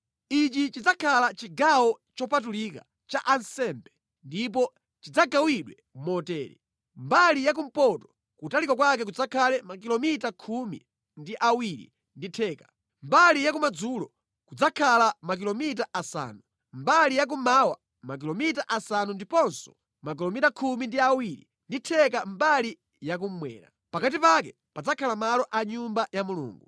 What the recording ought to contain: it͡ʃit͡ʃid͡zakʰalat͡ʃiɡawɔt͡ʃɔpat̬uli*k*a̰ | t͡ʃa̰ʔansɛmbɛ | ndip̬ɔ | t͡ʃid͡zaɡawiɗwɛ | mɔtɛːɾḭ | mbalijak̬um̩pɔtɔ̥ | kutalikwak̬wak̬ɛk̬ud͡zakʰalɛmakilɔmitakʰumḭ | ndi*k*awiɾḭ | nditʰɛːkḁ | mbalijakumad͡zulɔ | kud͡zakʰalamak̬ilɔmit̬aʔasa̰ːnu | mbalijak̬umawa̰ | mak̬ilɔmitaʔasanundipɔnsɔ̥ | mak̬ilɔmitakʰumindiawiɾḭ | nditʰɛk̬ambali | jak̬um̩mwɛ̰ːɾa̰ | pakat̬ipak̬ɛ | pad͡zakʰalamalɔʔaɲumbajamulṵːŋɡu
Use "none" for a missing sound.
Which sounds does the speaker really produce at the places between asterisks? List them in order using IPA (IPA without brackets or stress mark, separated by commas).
k, ʔ